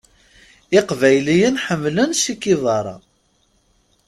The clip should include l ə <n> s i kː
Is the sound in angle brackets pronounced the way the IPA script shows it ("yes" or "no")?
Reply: yes